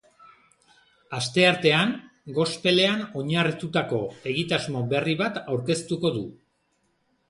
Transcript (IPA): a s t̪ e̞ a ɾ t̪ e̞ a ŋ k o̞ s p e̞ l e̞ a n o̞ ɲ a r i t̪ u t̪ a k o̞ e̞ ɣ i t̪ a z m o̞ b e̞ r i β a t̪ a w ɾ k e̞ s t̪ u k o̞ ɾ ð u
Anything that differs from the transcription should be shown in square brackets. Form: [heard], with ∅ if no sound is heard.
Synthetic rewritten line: a s t̪ e̞ a ɾ t̪ e̞ a ŋ [ɡ] o̞ s p e̞ l e̞ a n o̞ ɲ a r i t̪ u t̪ a k o̞ e̞ ɣ i t̪ a z m o̞ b e̞ r i β a t̪ a w ɾ k e̞ s t̪ u k o̞ [∅] ð u